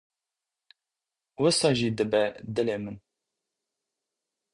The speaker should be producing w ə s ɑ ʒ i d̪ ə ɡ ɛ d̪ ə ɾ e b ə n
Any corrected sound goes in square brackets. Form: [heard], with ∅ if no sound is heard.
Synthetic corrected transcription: w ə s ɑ ʒ i d̪ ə [b] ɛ d̪ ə [l] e [m] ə n